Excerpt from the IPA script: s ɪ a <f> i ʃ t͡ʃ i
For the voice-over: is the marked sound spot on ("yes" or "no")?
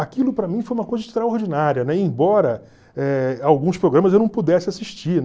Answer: no